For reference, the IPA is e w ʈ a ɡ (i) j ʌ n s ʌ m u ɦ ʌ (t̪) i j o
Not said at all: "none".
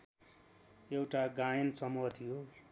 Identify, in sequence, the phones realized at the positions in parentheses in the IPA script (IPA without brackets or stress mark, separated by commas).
a, t̪ʰ